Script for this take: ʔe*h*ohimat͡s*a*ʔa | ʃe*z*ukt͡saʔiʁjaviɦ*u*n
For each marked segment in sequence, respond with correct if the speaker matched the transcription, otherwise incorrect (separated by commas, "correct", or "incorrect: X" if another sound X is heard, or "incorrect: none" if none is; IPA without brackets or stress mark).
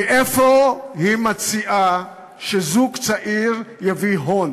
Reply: incorrect: f, incorrect: i, correct, incorrect: o